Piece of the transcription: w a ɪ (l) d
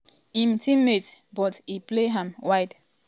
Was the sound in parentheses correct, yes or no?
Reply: no